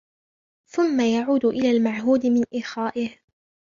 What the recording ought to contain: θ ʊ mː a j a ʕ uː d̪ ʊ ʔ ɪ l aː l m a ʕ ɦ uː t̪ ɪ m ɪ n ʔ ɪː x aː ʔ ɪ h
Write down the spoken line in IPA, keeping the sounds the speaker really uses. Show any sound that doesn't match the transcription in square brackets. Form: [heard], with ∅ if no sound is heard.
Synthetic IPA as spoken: θ ʊ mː a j a ʕ uː d̪ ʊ ʔ ɪ l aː l m a ʕ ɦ uː [d̪] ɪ m ɪ n ʔ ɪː x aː ʔ ɪ h